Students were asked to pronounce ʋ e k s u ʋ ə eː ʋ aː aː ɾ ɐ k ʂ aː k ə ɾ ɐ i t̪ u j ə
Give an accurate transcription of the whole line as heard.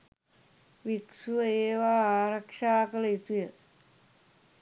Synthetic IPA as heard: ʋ i k s u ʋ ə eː ʋ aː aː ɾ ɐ k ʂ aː k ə l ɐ i t̪ u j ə